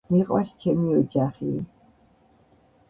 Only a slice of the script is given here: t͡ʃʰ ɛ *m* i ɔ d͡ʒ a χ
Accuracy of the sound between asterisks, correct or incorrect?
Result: correct